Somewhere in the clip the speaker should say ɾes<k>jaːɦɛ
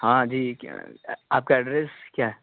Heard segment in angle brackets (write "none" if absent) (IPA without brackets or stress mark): k